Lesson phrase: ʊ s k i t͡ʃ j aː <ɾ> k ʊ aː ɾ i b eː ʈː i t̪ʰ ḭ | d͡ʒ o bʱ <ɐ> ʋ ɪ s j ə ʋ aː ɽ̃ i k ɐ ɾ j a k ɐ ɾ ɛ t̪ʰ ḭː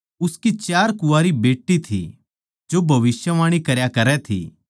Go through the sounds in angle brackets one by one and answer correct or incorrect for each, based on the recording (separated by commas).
correct, correct